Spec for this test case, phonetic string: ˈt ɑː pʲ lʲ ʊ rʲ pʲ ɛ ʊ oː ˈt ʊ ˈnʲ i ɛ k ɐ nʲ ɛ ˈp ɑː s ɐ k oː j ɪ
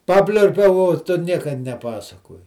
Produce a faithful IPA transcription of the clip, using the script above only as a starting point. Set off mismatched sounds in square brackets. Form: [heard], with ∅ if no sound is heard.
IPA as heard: [ˈp] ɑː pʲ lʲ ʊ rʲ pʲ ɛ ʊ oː ˈt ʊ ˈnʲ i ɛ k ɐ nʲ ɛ ˈp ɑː s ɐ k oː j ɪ

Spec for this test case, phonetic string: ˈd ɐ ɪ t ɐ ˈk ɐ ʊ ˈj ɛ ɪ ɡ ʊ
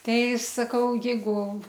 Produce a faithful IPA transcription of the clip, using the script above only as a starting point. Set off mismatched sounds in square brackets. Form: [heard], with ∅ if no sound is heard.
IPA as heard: [ˈt] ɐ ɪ [s] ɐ ˈk ɐ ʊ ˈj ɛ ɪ ɡ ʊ

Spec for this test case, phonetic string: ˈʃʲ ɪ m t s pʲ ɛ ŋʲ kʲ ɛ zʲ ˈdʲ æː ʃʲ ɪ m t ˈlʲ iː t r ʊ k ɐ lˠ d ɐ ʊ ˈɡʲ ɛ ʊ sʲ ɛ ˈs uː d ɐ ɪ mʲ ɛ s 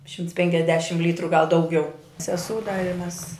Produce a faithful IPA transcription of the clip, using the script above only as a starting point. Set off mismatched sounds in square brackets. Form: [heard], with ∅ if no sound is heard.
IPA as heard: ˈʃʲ ɪ m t s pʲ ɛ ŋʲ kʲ ɛ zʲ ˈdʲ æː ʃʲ ɪ m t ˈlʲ iː t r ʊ [ɡ] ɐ lˠ d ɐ ʊ ˈɡʲ ɛ ʊ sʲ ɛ ˈs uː d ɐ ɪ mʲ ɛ s

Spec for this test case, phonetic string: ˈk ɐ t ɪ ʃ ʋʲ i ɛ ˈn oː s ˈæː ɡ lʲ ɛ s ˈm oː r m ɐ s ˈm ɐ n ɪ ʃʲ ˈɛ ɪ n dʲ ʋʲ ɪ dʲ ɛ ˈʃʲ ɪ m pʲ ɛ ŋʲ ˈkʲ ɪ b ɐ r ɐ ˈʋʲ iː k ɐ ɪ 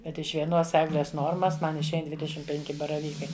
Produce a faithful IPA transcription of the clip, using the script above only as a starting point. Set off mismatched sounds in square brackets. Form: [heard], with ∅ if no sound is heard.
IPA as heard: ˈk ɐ t ɪ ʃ ʋʲ i ɛ ˈn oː s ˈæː ɡ lʲ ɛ s [ˈn] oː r m ɐ s ˈm ɐ n ɪ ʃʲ ˈɛ ɪ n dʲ ʋʲ ɪ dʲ ɛ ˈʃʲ ɪ m pʲ ɛ ŋʲ ˈkʲ ɪ b ɐ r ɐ ˈʋʲ iː k ɐ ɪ

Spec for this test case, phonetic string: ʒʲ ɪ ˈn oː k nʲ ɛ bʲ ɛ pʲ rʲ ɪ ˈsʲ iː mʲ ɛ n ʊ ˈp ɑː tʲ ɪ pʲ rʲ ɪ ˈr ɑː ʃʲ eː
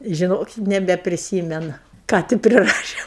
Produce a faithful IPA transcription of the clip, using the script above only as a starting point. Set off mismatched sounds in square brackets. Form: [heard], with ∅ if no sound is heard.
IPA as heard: ʒʲ ɪ ˈn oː k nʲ ɛ bʲ ɛ pʲ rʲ ɪ ˈsʲ iː mʲ ɛ n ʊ [ˈk] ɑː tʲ ɪ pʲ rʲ ɪ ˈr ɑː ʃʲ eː

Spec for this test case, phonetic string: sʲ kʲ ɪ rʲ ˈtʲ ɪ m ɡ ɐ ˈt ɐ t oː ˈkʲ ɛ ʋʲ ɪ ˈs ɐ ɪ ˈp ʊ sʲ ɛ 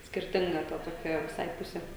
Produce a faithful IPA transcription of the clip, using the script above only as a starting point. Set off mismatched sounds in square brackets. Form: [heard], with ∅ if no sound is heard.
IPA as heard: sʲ kʲ ɪ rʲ ˈtʲ ɪ [ŋ] ɡ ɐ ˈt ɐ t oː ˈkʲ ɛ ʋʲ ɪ ˈs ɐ ɪ ˈp ʊ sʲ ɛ

